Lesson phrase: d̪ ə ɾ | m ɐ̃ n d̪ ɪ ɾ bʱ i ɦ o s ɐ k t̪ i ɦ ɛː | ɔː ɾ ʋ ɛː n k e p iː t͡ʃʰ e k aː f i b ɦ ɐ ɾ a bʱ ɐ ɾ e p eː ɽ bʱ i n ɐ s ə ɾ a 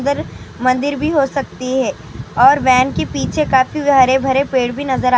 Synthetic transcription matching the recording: d̪ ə ɾ | m ɐ̃ n d̪ ɪ ɾ bʱ i ɦ o s ɐ k t̪ i ɦ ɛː | ɔː ɾ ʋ ɛː n k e p iː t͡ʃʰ e k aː f i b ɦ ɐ ɾ e bʱ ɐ ɾ e p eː ɽ bʱ i n ɐ z ə ɾ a